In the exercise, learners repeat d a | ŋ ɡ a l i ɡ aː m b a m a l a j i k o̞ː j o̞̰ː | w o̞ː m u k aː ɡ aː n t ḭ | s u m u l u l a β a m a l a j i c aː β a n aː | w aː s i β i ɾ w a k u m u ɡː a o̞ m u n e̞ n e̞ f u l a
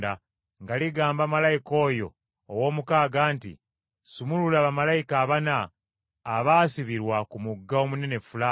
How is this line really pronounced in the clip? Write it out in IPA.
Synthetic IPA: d a | ŋ ɡ a l i ɡ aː m b a m a l a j i k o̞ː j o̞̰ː | w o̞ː m u k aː ɡ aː n t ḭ | s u m u l u l a β a m a l a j i k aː β a n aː | β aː s i β i ɾ w a k u m u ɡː a o̞ m u n e̞ n e̞ f u l a